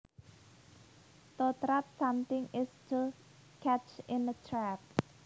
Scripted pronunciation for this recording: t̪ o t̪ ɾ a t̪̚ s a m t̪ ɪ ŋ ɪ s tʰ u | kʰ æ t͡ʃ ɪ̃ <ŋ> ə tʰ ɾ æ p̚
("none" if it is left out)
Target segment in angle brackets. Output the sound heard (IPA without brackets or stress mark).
n